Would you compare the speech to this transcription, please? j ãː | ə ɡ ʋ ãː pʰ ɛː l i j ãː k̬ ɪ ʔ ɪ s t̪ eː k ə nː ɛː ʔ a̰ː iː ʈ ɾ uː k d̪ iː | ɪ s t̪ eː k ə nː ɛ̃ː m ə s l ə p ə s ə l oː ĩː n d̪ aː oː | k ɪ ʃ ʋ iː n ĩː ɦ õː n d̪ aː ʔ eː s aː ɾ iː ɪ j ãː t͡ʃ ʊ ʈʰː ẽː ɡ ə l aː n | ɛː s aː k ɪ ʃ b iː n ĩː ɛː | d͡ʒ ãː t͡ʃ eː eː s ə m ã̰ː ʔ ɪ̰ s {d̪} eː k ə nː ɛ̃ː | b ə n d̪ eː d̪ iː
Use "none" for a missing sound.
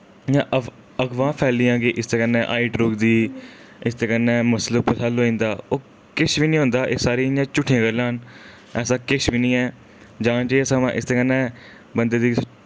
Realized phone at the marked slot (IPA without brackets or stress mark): t̪